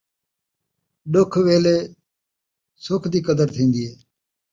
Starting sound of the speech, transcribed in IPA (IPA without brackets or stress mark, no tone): ɗ